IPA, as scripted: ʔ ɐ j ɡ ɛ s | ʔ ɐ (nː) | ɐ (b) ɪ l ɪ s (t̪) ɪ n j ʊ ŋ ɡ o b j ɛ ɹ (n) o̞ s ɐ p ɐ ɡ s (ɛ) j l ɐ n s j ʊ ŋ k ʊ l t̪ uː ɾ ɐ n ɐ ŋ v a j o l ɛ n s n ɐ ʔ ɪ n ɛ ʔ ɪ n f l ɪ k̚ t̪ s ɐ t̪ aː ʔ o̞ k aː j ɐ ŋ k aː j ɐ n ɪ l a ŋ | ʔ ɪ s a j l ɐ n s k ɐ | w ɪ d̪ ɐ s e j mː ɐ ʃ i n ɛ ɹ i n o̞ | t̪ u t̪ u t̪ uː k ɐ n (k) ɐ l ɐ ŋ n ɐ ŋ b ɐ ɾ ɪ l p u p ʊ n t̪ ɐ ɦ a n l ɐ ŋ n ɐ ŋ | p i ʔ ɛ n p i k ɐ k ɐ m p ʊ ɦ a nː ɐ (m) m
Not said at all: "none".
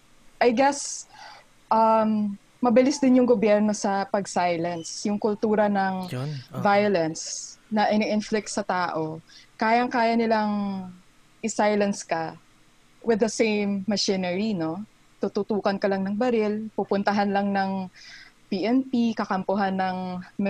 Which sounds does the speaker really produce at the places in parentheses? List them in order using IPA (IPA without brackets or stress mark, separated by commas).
mː, b, d̪, n, a, k, ŋ